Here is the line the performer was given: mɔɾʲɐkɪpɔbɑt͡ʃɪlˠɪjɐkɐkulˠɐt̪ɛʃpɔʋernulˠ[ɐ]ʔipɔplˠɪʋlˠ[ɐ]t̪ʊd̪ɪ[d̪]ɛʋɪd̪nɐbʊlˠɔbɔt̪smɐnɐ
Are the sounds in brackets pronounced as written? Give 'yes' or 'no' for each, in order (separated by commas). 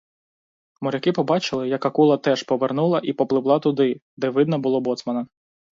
yes, no, yes